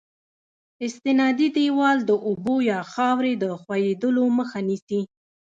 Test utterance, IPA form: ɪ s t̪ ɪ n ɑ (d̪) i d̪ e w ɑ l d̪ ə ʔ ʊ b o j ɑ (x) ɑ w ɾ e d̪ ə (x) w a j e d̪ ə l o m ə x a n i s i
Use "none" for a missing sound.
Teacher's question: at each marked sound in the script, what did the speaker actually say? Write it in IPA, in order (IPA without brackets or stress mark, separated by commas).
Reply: d̪, x, x